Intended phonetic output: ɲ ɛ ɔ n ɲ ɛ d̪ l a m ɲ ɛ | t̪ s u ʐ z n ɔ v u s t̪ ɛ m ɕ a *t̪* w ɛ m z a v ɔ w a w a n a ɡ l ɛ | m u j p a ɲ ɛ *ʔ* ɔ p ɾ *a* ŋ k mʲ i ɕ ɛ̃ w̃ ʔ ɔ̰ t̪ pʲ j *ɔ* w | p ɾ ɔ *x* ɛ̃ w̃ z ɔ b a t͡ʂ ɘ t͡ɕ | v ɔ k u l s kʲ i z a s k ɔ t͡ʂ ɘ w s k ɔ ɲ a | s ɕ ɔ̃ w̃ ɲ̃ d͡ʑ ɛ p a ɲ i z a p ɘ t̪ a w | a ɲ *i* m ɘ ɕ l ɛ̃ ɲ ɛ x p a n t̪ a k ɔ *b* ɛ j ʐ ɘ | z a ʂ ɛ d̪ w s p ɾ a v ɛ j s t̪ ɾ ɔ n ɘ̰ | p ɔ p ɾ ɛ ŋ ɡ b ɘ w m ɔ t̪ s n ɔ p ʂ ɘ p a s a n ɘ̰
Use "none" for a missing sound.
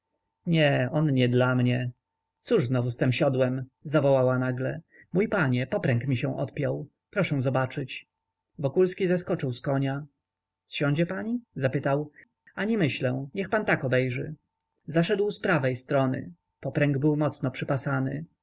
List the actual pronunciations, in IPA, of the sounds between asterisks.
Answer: d̪, p, ɛ, ɔ, ʂ, i, b

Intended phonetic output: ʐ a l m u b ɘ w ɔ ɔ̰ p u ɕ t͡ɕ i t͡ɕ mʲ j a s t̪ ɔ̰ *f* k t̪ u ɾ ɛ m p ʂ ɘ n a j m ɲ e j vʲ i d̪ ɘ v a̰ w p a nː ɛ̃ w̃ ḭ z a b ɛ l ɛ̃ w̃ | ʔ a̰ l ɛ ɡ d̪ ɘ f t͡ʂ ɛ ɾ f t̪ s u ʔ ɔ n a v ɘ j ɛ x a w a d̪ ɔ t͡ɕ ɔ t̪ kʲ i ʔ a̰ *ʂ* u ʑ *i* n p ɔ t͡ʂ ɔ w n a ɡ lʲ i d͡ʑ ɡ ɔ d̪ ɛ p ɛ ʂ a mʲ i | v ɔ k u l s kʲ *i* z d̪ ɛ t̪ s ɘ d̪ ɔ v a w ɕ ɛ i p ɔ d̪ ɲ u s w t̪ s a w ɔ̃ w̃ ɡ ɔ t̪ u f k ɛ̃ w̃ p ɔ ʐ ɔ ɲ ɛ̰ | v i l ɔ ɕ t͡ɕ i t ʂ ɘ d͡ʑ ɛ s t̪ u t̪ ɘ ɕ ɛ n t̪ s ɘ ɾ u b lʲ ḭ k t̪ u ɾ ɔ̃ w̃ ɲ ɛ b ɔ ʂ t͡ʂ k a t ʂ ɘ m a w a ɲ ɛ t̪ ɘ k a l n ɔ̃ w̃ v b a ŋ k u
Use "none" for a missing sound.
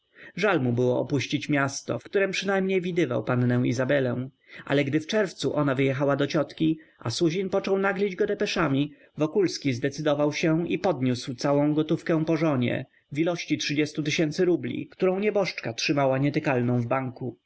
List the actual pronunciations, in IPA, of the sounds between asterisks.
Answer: f, s, i, i

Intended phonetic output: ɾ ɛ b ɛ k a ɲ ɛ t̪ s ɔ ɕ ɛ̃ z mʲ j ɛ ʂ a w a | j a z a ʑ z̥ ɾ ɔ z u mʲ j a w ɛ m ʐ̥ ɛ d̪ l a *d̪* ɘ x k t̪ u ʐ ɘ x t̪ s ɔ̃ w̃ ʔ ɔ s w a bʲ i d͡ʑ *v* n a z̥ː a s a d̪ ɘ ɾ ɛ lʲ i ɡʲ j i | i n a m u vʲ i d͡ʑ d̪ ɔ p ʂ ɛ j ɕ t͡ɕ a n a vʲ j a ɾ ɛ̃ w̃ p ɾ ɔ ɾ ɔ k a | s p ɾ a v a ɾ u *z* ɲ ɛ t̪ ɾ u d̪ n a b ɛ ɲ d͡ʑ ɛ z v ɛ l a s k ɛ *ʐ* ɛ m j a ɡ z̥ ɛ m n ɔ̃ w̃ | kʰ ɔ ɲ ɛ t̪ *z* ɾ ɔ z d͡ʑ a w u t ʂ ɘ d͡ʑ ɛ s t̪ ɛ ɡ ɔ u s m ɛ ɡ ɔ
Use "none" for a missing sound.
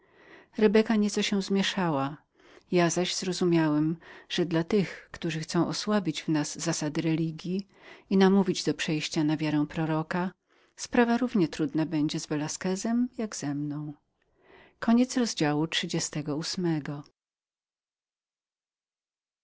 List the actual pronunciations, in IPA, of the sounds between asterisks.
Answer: t̪, v, v, z, s

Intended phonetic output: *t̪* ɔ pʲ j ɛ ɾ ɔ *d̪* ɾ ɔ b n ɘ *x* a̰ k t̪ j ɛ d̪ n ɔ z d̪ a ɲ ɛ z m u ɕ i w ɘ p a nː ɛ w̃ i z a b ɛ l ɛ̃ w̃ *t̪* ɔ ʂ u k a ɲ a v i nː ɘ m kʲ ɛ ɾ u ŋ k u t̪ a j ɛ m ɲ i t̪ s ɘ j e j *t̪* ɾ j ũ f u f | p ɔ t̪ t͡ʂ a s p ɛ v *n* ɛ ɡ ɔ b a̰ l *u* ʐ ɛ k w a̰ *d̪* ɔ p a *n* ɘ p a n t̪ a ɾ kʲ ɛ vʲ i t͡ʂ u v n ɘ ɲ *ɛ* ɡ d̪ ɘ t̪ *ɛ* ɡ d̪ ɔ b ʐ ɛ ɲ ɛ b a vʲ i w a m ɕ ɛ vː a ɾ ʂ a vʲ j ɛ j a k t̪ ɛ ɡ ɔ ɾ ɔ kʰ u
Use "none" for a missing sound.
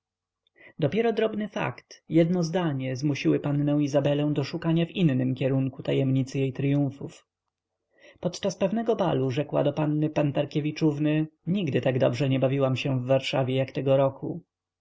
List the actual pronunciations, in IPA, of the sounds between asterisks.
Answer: d̪, d̪, f, d̪, t̪, n, u, d̪, nː, i, a

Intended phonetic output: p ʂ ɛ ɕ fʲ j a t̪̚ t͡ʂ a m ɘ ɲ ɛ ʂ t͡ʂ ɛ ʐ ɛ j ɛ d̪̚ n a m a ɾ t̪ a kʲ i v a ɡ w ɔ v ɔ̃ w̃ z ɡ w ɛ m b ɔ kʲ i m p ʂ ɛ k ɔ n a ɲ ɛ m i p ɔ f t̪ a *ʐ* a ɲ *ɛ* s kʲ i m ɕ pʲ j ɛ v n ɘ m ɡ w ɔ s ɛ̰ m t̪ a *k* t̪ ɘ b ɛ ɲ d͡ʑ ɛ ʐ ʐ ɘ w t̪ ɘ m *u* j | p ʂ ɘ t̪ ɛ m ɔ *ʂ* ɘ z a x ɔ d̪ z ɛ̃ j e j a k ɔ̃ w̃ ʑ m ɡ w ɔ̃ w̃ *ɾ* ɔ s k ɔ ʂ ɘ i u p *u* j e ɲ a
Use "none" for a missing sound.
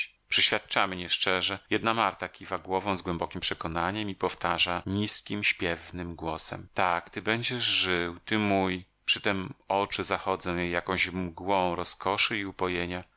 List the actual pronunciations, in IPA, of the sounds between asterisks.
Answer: ʐ, i, k, u, t͡ʂ, ɾ, ɔ

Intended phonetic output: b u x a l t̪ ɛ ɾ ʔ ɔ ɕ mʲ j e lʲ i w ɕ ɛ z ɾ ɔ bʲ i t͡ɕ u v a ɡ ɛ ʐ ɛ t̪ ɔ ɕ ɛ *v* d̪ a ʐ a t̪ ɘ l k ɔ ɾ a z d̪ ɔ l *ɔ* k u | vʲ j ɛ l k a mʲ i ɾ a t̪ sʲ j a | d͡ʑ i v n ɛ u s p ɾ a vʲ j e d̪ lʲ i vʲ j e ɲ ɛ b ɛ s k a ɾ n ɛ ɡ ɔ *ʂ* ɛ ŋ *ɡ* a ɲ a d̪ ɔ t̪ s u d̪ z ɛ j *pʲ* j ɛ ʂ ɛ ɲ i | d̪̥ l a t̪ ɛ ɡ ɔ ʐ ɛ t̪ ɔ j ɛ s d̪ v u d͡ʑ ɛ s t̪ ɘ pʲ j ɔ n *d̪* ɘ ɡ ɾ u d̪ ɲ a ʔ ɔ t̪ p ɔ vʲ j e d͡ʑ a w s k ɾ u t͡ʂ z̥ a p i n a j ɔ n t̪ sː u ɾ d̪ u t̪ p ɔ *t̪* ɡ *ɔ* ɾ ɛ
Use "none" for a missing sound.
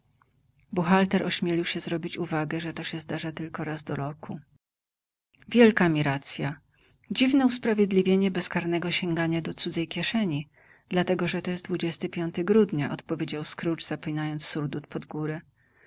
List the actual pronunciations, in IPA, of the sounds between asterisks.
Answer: z, ɔ, ɕ, ɡ, kʲ, t̪, d̪, u

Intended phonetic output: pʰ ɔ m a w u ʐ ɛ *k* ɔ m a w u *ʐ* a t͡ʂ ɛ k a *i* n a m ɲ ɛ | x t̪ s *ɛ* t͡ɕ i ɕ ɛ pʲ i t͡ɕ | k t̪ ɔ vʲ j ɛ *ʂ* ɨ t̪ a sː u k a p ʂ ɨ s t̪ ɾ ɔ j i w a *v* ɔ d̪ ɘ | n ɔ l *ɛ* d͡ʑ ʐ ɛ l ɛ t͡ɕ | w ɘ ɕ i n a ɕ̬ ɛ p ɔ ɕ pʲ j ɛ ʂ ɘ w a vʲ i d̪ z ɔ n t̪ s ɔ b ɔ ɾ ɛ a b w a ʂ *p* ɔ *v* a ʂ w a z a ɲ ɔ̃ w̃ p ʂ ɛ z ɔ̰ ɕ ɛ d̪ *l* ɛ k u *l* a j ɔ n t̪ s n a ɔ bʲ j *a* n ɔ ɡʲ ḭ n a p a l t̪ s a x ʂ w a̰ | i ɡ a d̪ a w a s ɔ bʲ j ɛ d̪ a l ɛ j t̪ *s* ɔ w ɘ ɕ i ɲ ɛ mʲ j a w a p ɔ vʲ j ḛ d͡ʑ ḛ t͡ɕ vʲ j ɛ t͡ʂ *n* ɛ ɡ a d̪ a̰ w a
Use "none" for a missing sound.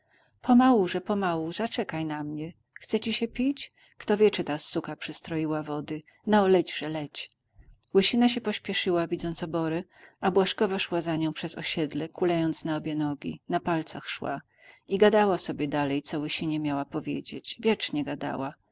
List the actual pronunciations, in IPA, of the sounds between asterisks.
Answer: p, z, j, ɛ, t͡ʂ, v, ɛ, k, v, l, l, ɛ, s, ɲ

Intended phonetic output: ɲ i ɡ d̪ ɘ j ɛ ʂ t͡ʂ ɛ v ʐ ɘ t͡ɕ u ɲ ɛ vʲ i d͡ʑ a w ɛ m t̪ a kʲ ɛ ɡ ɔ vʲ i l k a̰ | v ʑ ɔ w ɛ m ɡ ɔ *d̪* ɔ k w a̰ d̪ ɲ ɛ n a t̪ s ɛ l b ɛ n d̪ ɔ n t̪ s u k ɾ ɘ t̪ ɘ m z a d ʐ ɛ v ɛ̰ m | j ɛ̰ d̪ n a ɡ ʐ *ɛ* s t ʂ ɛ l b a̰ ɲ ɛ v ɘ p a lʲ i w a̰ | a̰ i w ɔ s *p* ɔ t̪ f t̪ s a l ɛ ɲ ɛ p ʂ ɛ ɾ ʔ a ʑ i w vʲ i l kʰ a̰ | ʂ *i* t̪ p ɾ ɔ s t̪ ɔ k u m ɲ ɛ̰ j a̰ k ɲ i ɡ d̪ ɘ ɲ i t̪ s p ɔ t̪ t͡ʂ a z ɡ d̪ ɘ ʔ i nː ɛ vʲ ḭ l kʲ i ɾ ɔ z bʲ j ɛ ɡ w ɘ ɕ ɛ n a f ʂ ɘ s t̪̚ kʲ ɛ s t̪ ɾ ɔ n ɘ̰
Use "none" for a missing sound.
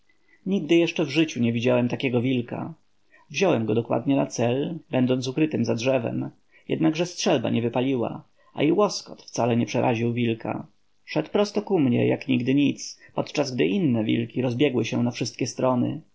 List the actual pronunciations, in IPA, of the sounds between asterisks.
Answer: d̪, ɛ, k, ɛ

